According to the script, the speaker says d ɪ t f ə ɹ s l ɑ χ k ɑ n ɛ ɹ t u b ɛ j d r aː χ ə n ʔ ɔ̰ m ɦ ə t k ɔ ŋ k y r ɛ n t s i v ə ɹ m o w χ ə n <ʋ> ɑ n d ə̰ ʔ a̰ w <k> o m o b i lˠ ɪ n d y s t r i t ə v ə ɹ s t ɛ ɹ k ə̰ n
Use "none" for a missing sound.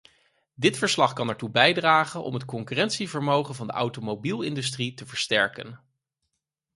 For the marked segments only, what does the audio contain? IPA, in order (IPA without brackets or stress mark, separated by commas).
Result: v, t